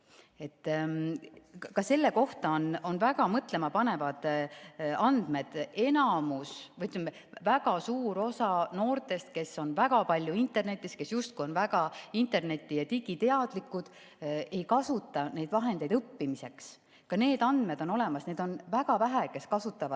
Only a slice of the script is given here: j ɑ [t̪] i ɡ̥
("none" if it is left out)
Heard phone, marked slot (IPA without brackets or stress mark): t̪